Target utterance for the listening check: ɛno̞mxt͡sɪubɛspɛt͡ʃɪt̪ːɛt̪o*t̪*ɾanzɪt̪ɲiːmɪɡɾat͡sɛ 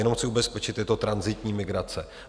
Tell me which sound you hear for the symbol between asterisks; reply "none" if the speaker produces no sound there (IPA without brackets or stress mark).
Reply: t̪